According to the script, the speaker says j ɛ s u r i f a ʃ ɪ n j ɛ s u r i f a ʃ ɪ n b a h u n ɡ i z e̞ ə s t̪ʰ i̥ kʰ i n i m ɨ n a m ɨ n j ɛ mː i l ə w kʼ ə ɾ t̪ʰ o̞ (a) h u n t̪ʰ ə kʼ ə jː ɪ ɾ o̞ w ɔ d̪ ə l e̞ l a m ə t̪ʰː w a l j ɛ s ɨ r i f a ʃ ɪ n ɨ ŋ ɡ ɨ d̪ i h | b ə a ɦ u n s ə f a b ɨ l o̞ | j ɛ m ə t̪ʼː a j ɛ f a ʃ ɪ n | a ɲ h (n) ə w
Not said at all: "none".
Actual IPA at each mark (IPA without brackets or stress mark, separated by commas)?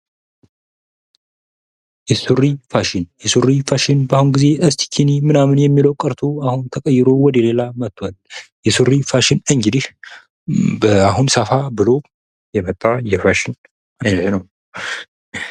a, n